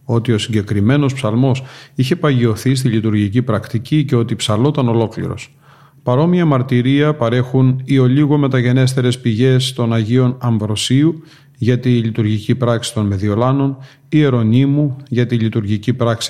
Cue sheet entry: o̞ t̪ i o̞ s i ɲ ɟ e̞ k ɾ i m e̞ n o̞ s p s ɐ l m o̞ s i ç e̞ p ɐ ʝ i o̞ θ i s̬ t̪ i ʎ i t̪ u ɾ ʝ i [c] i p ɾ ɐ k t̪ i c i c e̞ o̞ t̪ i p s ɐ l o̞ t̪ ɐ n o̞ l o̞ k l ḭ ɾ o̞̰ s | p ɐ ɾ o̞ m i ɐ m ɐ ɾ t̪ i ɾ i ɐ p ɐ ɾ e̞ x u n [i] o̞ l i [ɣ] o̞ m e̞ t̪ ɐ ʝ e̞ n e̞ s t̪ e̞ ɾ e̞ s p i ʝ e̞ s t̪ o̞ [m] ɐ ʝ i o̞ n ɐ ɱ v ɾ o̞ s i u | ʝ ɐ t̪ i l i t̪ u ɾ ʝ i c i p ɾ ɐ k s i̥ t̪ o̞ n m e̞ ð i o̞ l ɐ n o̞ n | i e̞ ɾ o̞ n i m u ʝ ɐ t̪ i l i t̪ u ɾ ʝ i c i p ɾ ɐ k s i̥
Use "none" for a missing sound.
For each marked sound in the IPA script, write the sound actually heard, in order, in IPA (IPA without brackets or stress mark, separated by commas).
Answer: c, i, ɣ, n